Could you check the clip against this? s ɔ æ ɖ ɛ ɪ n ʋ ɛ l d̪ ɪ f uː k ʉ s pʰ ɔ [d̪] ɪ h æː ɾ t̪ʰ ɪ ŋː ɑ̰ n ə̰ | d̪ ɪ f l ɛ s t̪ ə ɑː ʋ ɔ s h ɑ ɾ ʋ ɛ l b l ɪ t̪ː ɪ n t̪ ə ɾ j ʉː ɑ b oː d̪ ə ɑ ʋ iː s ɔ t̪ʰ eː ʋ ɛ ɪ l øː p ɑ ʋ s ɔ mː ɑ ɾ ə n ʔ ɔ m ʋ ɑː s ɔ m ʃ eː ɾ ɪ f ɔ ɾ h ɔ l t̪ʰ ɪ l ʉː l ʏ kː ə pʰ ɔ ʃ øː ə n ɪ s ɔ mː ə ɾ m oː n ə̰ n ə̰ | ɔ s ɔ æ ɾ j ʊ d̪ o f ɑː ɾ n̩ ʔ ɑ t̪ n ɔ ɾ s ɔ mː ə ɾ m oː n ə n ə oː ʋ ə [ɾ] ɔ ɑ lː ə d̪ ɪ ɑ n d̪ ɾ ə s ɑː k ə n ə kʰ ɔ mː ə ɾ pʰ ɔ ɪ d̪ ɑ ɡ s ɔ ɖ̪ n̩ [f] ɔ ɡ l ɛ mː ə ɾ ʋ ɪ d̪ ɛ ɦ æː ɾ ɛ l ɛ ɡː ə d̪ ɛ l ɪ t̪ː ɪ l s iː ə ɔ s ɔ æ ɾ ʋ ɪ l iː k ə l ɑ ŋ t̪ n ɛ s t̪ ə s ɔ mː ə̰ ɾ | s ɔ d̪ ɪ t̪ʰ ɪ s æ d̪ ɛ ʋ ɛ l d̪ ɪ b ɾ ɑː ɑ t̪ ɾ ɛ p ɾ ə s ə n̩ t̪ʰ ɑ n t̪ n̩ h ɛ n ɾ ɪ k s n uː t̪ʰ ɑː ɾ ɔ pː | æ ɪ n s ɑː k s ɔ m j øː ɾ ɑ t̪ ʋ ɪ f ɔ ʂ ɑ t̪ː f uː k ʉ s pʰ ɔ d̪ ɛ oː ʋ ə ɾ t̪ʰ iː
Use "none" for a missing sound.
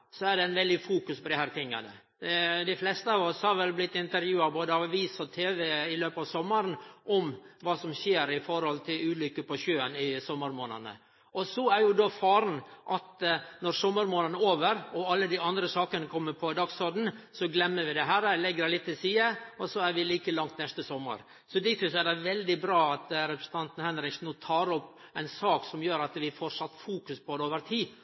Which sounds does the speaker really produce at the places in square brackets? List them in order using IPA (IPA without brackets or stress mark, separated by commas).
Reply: d̪, ɾ, s